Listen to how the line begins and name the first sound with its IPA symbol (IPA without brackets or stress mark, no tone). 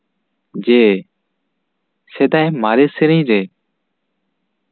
d͡ʒ